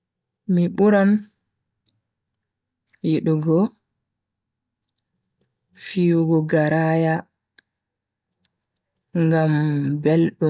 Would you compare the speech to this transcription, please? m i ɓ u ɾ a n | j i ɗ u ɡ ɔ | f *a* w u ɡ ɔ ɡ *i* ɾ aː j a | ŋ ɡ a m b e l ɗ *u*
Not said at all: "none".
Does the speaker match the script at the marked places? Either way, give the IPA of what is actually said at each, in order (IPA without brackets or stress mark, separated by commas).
i, a, u